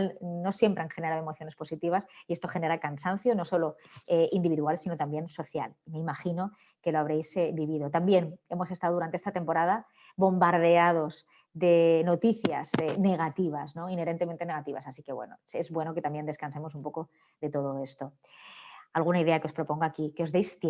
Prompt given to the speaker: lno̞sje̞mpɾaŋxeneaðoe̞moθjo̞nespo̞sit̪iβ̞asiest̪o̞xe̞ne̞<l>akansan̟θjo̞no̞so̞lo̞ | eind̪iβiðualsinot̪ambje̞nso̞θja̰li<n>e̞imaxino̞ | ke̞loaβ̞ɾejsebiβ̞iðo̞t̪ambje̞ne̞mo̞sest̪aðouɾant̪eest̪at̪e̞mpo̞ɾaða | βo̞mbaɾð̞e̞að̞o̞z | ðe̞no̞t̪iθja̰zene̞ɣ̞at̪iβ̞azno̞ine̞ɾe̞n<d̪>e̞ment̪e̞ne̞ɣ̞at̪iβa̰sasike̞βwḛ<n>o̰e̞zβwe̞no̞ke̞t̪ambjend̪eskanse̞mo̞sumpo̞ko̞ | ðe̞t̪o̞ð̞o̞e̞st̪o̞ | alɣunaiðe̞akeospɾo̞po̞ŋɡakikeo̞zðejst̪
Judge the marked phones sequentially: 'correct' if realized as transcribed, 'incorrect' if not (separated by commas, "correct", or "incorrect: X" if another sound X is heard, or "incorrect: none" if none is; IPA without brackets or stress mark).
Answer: incorrect: ɾ, incorrect: m, incorrect: t̪, correct